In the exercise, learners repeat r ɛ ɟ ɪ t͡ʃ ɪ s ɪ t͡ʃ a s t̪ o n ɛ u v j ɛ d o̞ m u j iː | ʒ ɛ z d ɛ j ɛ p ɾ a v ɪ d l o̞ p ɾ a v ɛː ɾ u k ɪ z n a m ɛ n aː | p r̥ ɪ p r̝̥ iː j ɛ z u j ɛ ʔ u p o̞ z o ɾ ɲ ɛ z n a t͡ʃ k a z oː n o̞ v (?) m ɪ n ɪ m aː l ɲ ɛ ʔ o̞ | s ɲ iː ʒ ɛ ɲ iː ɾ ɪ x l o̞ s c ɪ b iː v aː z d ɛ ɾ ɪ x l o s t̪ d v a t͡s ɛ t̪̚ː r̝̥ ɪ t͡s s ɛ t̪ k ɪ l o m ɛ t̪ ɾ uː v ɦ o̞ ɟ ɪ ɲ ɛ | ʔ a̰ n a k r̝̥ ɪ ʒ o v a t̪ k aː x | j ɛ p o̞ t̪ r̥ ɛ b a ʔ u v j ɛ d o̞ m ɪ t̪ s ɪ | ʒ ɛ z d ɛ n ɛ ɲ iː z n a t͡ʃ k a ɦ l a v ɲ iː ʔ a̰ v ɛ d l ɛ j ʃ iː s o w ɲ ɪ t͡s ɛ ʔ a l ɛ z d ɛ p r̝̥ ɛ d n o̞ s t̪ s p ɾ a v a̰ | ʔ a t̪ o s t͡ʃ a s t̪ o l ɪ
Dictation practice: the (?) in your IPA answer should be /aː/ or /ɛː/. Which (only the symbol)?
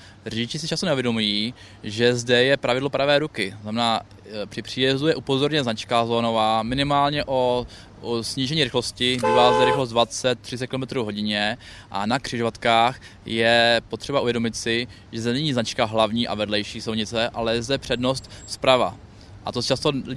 aː